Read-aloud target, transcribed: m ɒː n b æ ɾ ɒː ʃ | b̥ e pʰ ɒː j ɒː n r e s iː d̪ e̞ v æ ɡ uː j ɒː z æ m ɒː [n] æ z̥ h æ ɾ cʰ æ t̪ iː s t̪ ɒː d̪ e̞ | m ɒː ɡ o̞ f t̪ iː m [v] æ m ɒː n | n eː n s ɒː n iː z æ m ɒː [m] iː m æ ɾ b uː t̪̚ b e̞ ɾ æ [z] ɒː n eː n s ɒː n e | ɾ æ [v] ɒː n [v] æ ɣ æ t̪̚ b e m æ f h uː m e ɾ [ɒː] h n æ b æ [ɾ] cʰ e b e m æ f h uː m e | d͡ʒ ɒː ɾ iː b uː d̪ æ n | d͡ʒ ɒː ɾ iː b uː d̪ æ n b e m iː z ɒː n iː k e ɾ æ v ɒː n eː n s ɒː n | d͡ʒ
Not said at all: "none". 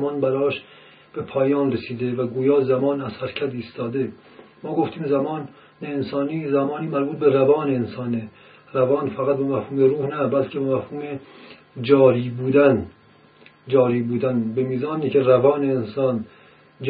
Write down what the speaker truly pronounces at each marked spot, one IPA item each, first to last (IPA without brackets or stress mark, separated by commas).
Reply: n, z, n, v, v, f, uː, l